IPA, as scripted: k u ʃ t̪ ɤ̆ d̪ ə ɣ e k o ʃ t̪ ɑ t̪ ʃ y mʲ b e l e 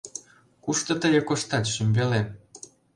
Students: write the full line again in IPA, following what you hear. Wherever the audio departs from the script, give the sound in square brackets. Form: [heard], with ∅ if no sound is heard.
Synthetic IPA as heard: k u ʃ t̪ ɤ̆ [t̪] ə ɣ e k o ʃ t̪ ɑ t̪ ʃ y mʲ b e l e